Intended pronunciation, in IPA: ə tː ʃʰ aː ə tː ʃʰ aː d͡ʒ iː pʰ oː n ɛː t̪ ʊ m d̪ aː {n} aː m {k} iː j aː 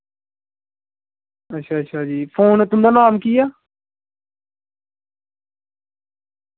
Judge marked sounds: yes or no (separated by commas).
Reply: yes, yes